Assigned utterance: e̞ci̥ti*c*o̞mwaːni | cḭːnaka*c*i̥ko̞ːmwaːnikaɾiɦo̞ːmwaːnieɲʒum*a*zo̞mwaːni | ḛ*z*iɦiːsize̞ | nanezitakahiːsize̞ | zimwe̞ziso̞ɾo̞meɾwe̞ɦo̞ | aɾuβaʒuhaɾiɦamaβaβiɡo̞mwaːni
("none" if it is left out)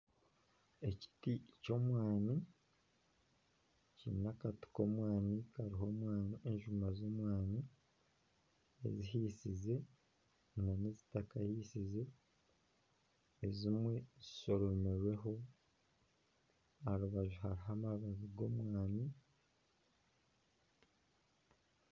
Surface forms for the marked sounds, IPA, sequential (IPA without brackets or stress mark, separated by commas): c, t, a, z